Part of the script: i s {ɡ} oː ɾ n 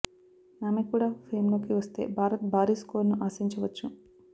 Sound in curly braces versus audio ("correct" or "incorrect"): incorrect